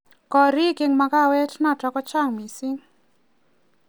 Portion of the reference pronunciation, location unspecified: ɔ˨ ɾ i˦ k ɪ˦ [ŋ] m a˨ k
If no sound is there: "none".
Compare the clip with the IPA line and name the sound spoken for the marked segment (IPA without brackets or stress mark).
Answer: ŋ